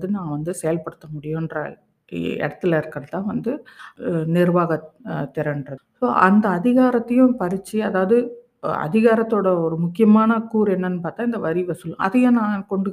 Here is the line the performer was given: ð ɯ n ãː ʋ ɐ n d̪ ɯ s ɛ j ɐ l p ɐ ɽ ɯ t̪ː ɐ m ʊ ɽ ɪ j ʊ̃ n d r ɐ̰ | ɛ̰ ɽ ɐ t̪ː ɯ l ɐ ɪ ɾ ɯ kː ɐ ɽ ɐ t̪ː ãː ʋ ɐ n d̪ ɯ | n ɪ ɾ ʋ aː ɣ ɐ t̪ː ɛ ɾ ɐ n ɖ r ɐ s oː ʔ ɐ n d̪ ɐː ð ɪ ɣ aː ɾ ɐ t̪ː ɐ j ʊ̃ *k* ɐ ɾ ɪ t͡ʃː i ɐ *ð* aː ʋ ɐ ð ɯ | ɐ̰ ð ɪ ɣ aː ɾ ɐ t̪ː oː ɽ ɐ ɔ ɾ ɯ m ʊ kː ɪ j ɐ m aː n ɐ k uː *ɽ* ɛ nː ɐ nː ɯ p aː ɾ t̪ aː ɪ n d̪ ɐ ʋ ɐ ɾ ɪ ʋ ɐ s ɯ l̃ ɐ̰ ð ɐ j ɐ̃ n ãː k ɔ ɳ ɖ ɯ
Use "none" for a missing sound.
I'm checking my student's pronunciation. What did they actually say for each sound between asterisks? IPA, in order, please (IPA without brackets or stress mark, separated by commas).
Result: p, ð, ɾ